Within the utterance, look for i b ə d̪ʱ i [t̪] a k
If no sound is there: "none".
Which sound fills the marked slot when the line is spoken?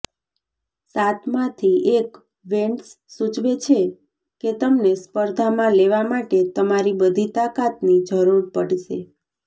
t̪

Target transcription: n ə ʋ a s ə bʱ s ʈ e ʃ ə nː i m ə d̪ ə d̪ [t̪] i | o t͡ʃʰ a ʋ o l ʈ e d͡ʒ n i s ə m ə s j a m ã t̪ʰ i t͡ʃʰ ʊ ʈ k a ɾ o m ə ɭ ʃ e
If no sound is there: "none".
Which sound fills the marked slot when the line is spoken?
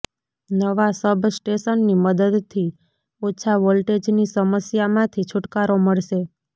t̪ʰ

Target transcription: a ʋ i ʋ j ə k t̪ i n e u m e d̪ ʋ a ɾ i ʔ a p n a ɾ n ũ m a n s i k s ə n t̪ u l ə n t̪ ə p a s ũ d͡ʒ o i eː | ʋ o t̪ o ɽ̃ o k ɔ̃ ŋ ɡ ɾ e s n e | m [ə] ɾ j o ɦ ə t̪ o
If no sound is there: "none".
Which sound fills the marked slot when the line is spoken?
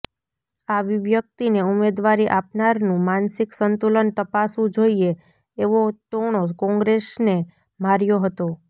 a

